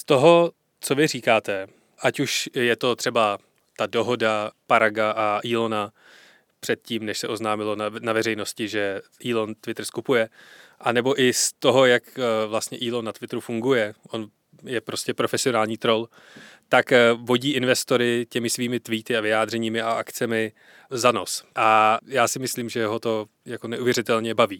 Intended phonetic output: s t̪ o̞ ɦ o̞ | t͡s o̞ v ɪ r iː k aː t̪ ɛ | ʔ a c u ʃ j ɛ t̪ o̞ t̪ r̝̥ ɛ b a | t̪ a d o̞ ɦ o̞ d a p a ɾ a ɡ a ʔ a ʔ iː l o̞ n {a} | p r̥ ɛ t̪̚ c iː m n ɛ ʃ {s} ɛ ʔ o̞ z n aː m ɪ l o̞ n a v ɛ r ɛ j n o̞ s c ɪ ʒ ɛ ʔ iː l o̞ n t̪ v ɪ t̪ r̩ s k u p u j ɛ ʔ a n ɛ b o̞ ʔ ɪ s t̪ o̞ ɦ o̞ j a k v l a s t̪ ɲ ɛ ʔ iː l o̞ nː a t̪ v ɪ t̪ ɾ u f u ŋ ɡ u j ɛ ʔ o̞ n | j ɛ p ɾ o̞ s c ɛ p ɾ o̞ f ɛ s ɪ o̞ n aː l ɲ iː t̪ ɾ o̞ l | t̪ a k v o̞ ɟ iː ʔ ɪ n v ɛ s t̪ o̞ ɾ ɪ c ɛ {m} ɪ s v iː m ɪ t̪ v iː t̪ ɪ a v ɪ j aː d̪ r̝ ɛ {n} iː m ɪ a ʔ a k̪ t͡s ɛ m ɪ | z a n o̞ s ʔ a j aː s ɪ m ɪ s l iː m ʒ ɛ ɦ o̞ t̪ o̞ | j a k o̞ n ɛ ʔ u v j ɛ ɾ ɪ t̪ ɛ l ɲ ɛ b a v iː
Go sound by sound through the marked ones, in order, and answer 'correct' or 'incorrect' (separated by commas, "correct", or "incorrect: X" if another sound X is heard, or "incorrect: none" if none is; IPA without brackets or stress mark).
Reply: correct, correct, correct, incorrect: ɲ